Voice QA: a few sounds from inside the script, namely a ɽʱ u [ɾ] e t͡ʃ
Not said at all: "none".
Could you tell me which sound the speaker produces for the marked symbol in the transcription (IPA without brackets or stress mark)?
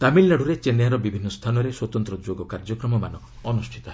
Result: ɾ